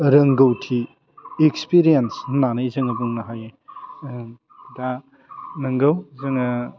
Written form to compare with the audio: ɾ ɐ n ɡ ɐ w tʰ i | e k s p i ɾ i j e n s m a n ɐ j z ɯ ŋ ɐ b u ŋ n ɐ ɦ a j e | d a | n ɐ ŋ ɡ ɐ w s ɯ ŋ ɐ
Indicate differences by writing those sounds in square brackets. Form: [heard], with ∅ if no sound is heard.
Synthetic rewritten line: ɾ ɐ [ŋ] ɡ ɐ w tʰ i | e k s p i ɾ i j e n s [n] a n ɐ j z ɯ ŋ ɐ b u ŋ n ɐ ɦ a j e | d a | n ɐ ŋ ɡ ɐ w [z] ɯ ŋ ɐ